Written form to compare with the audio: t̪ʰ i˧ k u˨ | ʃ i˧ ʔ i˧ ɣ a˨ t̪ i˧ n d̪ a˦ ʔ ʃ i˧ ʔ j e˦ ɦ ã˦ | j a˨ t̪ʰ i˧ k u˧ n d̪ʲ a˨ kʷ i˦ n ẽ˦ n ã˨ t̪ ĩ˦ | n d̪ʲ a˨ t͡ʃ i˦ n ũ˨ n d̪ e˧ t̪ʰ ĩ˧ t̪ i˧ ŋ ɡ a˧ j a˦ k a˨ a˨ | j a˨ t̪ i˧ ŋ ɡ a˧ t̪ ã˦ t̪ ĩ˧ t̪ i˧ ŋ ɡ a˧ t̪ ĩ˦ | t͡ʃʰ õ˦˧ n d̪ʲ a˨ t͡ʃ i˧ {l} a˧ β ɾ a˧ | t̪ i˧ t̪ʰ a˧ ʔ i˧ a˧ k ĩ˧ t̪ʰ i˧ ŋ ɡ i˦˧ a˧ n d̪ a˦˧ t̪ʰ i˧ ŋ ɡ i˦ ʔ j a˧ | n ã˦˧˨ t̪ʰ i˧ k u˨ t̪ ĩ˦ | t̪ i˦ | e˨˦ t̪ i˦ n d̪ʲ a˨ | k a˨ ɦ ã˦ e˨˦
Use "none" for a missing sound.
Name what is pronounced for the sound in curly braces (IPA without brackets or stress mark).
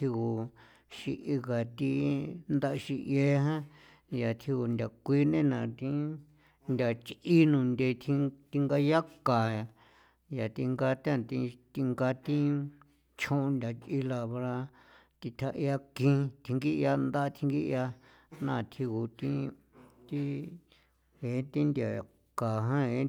l